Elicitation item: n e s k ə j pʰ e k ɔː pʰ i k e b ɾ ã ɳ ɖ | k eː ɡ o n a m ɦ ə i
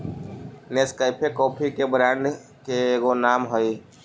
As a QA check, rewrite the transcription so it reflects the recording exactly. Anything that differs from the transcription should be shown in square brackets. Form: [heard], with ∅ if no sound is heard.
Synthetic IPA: n e s k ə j pʰ e k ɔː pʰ i k e b ɾ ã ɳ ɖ | k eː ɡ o n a m ɦ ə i